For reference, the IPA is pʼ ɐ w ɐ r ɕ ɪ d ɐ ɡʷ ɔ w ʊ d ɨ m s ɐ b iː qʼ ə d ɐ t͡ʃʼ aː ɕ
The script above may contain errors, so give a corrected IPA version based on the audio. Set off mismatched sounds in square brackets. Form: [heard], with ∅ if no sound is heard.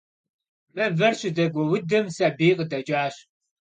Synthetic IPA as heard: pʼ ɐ [v] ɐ r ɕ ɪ d ɐ ɡʷ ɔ w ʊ d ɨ m s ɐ b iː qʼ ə d ɐ t͡ʃʼ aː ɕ